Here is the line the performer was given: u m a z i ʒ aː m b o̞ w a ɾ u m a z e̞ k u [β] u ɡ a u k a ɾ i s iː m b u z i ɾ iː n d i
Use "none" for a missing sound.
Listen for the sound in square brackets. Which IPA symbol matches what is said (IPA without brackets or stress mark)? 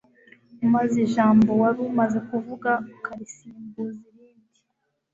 v